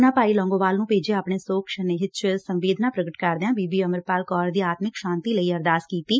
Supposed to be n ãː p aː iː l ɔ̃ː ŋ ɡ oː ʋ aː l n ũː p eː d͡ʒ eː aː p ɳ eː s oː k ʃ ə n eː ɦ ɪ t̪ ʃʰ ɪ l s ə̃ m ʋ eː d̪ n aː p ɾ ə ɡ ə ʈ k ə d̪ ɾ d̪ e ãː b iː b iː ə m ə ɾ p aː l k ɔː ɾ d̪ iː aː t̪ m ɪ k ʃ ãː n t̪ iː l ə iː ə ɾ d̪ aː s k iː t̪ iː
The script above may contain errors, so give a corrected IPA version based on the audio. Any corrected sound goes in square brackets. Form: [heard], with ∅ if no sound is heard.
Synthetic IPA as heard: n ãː p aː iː l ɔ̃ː ŋ ɡ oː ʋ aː l n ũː p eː d͡ʒ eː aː p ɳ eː s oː k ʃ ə n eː ɦ ɪ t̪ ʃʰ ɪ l s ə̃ m ʋ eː d̪ n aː p ɾ ə ɡ ə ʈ k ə [∅] ɾ d̪ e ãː b iː b iː ə m ə ɾ p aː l k ɔː ɾ d̪ iː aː t̪ m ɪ k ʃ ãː n t̪ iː l ə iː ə ɾ d̪ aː s k iː t̪ iː